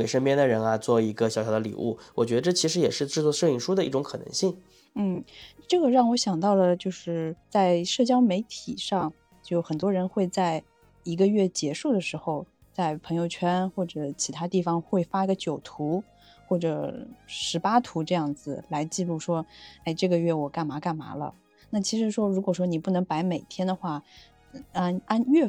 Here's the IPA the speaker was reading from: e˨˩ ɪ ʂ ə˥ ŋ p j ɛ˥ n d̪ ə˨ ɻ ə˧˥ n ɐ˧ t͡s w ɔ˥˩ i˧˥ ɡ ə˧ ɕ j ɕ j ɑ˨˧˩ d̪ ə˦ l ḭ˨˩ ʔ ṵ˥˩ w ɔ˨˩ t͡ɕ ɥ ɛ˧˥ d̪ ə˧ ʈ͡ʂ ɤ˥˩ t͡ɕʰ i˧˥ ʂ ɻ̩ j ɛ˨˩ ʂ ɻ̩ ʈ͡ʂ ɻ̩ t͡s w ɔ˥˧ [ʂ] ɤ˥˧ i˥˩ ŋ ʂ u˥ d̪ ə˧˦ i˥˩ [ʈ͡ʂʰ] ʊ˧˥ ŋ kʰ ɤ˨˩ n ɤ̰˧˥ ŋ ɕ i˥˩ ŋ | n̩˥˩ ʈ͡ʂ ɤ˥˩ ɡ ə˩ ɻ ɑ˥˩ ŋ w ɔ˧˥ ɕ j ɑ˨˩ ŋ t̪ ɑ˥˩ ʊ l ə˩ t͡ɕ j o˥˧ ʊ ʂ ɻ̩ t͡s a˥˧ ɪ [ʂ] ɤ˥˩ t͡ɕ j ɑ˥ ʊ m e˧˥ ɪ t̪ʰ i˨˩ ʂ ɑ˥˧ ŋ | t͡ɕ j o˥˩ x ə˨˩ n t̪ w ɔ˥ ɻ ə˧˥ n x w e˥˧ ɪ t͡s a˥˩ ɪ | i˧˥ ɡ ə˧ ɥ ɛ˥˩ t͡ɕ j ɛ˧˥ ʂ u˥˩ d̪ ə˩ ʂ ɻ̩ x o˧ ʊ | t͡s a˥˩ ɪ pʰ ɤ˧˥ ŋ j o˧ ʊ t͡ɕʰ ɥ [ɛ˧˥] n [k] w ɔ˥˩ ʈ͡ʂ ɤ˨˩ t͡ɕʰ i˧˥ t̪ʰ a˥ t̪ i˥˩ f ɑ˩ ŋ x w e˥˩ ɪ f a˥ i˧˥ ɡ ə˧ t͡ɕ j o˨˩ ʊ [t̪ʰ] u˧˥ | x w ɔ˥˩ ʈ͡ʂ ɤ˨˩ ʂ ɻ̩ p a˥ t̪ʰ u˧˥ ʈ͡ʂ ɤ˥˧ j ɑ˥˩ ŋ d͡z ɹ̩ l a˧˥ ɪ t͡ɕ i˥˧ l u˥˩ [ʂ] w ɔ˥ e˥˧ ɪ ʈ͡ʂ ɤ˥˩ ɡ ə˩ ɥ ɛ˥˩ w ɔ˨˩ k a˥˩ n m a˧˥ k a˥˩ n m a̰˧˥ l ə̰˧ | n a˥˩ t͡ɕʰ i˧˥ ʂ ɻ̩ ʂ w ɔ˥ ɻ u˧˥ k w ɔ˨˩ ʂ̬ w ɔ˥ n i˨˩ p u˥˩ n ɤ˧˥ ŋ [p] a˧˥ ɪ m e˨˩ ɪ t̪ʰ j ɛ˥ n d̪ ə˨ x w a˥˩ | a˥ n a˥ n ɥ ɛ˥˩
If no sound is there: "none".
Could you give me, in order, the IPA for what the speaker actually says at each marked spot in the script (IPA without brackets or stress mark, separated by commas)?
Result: ʂ, ʈ͡ʂ, ʂ, ɛ˥, x, t̪ʰ, ʂ, p